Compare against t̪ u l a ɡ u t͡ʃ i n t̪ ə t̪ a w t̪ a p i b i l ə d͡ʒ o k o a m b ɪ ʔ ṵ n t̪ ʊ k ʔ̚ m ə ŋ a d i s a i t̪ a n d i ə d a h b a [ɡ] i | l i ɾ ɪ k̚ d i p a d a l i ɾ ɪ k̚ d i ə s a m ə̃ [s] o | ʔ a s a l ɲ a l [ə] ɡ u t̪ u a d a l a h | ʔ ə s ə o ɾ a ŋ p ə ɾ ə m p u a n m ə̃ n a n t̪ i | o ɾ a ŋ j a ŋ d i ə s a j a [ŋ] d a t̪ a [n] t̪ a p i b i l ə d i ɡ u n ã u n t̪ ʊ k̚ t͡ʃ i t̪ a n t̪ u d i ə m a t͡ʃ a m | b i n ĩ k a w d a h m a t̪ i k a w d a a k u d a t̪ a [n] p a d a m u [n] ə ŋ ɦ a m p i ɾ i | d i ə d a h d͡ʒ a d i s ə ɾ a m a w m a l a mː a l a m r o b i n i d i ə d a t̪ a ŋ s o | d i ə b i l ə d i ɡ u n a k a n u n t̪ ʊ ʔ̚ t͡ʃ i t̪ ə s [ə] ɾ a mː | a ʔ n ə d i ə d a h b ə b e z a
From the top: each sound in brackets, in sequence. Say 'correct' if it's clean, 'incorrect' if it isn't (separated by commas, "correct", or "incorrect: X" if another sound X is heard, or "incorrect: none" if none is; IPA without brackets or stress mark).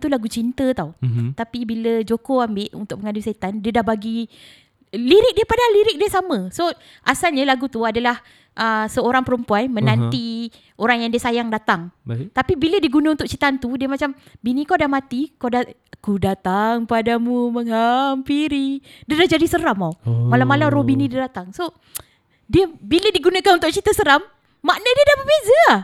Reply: correct, correct, incorrect: a, correct, incorrect: ŋ, incorrect: ŋ, incorrect: m, correct